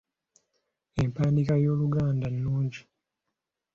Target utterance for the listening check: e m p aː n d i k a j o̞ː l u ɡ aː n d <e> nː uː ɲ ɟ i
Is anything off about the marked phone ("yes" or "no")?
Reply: yes